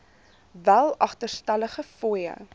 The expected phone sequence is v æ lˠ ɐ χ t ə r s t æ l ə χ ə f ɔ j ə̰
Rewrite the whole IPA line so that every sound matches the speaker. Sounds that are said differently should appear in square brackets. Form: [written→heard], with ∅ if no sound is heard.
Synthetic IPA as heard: v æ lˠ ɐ χ t ə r s t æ l ə χ ə f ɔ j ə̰

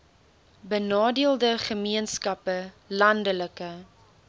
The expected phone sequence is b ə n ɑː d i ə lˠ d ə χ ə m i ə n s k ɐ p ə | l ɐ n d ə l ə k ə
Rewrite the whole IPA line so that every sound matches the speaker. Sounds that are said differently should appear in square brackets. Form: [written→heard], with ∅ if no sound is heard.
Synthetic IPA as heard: b ə n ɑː d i ə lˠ d ə χ ə m i ə n s k ɐ p ə | l ɐ n d ə l ə k ə

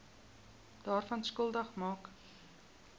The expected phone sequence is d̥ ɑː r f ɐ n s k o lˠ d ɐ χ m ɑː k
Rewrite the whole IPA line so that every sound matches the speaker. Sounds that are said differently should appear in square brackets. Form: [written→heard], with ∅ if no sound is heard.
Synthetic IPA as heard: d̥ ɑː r f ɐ n s k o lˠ d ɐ χ m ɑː k

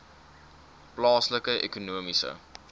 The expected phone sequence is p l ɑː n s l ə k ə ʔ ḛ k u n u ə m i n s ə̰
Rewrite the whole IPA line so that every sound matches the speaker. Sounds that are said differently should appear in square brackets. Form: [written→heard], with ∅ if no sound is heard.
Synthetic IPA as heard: p l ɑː [n→∅] s l ə k ə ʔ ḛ k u n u ə m i [n→∅] s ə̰

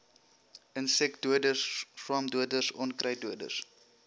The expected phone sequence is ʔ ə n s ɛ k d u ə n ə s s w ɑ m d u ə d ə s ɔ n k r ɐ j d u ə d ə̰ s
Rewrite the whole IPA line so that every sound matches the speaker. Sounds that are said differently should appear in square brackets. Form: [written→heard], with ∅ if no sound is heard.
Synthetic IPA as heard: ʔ ə n s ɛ k d u ə [n→d] ə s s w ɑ m d u ə d ə s ɔ n k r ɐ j d u ə d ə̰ s

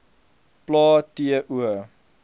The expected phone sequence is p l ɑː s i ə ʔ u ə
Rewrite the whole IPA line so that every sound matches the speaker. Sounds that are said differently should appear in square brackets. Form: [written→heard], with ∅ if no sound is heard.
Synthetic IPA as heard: p l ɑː [s→t] i ə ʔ u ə

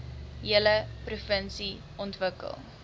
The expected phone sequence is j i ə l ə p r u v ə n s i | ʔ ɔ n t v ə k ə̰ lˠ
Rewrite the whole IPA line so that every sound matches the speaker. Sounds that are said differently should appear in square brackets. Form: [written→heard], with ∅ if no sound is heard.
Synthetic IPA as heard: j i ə l ə p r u [v→f] ə n s i | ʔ ɔ n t v ə k ə̰ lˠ

